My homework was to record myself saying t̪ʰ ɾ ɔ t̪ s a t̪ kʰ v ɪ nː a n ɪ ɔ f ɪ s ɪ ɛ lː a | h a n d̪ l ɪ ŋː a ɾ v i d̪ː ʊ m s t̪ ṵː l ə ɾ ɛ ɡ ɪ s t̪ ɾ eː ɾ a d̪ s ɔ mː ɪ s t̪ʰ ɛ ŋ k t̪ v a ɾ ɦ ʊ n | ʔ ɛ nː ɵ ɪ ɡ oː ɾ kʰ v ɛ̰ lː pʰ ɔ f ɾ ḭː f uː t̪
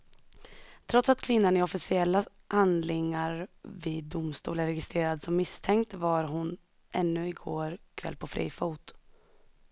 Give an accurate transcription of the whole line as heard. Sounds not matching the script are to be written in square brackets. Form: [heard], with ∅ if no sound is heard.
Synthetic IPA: t̪ʰ ɾ ɔ t̪ s a t̪ kʰ v ɪ nː a n ɪ ɔ f ɪ s ɪ ɛ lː a | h a n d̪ l ɪ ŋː a ɾ v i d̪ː ʊ m s t̪ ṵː l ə ɾ ɛ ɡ ɪ s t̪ ɾ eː ɾ a d̪ s ɔ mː ɪ s t̪ʰ ɛ ŋ k t̪ v a ɾ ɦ ʊ n | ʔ ɛ nː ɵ ɪ ɡ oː ɾ kʰ v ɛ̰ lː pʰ ɔ f ɾ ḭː f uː t̪